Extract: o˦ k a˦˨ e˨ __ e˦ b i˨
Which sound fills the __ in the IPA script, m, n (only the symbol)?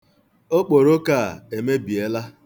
m